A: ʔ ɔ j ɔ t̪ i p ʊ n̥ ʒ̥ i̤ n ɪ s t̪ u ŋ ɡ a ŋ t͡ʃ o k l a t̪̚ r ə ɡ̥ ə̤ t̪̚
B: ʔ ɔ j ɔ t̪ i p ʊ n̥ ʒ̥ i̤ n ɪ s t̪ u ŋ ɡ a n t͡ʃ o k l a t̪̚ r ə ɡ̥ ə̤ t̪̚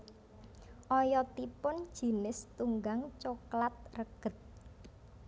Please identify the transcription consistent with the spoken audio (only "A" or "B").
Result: A